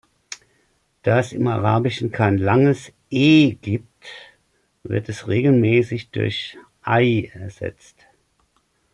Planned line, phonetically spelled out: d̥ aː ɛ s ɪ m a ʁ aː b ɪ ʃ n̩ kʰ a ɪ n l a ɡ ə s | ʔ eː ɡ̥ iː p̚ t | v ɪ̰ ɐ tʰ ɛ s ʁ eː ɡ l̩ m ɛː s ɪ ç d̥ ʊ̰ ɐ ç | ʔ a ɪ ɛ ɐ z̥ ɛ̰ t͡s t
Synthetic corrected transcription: d̥ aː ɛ s ɪ m a ʁ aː b ɪ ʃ n̩ kʰ a ɪ n l a ŋ ə s | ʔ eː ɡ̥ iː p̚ t | v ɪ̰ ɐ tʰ ɛ s ʁ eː ɡ l̩ m ɛː s ɪ ç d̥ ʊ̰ ɐ ç | ʔ a ɪ ɛ ɐ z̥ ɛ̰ t͡s t